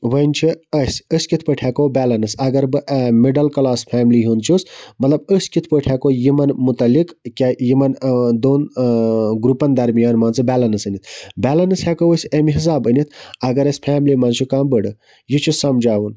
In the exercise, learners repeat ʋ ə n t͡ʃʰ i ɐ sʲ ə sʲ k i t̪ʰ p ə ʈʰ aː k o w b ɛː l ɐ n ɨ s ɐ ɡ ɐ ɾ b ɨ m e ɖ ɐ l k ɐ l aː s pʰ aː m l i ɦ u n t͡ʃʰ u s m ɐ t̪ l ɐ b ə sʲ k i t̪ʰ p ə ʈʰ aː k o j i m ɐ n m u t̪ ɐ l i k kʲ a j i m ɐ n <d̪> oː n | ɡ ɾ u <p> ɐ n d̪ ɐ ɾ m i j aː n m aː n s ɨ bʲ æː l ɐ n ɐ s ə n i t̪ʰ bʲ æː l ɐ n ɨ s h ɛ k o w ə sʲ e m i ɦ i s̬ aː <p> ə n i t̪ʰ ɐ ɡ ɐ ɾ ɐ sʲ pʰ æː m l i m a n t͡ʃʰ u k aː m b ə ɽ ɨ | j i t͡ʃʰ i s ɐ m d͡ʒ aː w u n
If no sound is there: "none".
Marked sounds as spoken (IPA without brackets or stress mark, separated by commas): d̪, p, b